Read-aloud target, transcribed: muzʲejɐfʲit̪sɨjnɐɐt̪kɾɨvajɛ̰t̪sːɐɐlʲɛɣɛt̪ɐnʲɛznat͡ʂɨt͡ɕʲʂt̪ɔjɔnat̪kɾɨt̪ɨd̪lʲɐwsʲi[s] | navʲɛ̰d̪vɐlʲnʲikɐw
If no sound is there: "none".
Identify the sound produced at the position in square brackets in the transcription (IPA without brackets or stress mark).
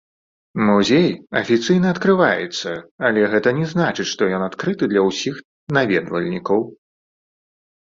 x